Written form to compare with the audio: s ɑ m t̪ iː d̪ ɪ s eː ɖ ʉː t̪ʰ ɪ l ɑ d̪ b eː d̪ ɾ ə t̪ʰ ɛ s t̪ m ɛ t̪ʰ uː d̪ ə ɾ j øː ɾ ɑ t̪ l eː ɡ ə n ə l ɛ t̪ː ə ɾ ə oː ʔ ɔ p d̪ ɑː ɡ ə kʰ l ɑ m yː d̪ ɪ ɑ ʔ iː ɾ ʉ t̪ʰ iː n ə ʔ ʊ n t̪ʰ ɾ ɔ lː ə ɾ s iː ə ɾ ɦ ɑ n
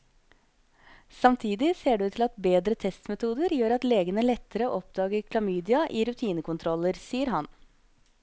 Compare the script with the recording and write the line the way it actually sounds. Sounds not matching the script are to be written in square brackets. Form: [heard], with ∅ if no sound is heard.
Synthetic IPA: s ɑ m [t̪ʰ] iː d̪ ɪ s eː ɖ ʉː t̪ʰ ɪ l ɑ [t̪] b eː d̪ ɾ ə t̪ʰ ɛ s t̪ m ɛ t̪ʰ uː d̪ ə ɾ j øː ɾ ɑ t̪ l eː ɡ ə n ə l ɛ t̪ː ə ɾ ə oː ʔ ɔ p d̪ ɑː ɡ ə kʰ l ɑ m yː d̪ ɪ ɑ ʔ iː ɾ ʉ t̪ʰ iː n ə [k] ʊ n t̪ʰ ɾ ɔ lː ə ɾ s iː ə ɾ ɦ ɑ n